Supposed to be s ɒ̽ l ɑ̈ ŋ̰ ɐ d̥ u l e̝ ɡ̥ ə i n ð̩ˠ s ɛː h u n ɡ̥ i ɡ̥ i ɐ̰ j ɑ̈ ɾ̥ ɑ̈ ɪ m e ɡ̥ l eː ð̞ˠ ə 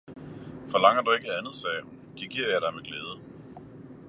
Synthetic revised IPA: f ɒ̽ l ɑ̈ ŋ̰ ɐ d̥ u e̝ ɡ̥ ə æ n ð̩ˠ s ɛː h u n d̥ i ɡ̥ i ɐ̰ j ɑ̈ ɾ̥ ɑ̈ ɪ m e ɡ̥ l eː ð̞ˠ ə